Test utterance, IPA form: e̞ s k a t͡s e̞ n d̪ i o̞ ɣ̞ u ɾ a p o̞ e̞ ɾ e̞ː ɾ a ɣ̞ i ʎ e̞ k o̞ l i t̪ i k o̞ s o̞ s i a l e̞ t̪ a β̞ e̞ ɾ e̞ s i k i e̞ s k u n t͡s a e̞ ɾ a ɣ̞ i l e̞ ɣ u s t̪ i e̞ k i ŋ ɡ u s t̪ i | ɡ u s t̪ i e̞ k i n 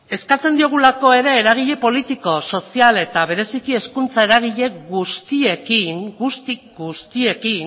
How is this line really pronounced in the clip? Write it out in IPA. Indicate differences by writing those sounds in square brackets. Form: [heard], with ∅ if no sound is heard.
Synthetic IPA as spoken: e̞ s k a t͡s e̞ n d̪ i o̞ ɣ̞ u [l] a [k] o̞ e̞ ɾ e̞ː ɾ a ɣ̞ i ʎ e̞ [p] o̞ l i t̪ i k o̞ s o̞ s i a l e̞ t̪ a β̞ e̞ ɾ e̞ s i k i e̞ s k u n t͡s a e̞ ɾ a ɣ̞ i [ʎ] e̞ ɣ u s t̪ i e̞ k i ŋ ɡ u s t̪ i | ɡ u s t̪ i e̞ k i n